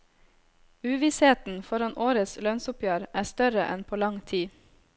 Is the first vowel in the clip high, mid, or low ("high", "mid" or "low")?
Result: high